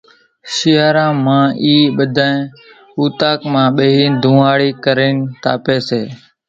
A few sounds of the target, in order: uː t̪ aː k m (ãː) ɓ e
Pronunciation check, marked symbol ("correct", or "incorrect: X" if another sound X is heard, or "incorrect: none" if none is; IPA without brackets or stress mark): correct